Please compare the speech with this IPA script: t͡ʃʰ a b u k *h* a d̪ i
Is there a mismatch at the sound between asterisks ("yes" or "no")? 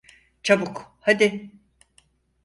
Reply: no